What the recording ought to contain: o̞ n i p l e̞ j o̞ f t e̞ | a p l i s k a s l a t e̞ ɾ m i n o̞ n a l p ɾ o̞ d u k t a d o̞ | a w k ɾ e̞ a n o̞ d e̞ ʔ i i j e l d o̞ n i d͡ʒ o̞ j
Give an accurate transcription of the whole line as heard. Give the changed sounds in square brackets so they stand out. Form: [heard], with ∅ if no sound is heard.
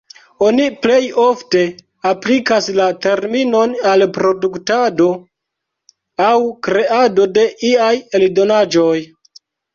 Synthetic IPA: o̞ n i p l e̞ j o̞ f t e̞ | a p l i [∅] k a s l a t e̞ ɾ m i n o̞ n a l p ɾ o̞ d u k t a d o̞ | a w k ɾ e̞ a [d] o̞ d e̞ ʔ i [a] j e l d o̞ n [a] d͡ʒ o̞ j